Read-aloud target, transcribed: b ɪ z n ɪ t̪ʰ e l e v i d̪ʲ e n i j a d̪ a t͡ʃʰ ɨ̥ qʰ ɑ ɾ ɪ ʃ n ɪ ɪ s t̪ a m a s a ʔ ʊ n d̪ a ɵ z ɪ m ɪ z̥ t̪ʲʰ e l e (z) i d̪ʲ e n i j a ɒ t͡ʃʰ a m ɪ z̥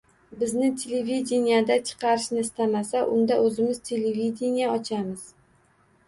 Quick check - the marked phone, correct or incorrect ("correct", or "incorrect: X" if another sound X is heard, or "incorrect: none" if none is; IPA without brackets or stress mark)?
incorrect: v